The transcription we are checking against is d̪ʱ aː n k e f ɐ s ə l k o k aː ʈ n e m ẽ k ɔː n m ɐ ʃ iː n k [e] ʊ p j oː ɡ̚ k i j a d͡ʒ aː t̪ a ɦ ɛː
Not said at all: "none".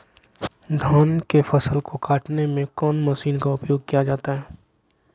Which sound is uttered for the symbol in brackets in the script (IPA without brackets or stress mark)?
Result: a